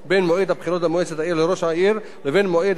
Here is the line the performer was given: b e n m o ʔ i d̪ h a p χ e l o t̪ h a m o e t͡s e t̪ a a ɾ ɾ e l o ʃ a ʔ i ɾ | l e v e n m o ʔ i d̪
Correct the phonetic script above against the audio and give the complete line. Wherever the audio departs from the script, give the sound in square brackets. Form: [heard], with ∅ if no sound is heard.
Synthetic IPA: b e n m o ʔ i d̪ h a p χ [i] l o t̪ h a m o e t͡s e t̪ a [i] ɾ [l] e [ɾ] o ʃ a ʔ i ɾ | l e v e n m o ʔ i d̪